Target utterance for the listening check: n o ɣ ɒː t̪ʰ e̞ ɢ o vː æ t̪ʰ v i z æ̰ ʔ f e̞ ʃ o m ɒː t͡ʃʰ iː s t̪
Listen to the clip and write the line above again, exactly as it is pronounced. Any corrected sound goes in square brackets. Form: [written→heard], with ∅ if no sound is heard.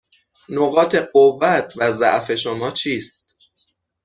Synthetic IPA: n o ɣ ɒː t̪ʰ e̞ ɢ o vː æ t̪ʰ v [i→æ] z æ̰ ʔ f e̞ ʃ o m ɒː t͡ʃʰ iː s t̪